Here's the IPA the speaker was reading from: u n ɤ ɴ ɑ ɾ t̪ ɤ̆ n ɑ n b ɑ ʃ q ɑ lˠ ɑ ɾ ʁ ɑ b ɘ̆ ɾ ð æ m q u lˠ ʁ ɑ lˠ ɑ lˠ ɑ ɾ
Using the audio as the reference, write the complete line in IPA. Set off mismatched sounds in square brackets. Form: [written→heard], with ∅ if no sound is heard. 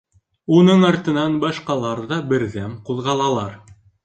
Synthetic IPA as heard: u n ɤ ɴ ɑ ɾ t̪ ɤ̆ n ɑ n b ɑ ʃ q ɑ lˠ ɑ ɾ [ʁ→ð] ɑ b ɘ̆ ɾ ð æ m q u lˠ ʁ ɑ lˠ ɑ lˠ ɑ ɾ